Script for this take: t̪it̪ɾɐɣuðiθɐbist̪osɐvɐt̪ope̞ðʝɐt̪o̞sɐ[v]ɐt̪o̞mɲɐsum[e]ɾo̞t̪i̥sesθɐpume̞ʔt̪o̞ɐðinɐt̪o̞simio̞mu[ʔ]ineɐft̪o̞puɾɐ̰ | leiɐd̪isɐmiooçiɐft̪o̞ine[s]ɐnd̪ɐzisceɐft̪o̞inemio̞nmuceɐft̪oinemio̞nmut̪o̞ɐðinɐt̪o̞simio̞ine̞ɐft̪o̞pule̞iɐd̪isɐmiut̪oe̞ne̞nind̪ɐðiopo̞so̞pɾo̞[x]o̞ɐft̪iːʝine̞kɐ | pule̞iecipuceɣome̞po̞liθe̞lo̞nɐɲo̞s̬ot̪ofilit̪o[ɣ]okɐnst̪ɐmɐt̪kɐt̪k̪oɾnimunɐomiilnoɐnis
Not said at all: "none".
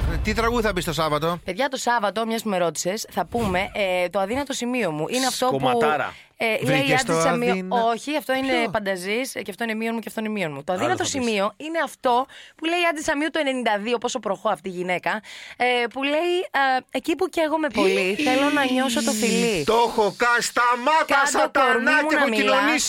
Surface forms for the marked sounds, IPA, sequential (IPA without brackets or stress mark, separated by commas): v, e, ʔ, f, x, x